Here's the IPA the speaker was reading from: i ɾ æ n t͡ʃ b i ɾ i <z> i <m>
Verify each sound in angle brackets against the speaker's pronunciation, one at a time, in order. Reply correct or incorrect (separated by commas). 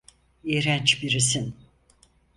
incorrect, incorrect